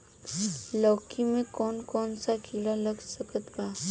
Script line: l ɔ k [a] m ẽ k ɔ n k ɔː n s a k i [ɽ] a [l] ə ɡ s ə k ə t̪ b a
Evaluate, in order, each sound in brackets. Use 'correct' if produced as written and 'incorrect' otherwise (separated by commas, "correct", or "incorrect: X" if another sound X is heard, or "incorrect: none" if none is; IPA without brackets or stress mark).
incorrect: i, incorrect: l, correct